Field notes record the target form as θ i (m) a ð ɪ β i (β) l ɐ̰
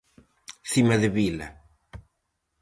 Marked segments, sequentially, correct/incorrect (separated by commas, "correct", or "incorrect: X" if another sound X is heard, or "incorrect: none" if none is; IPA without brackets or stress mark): correct, incorrect: none